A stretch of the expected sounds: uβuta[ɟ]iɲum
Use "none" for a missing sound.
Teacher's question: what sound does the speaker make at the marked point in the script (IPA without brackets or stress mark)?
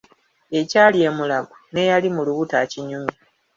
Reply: c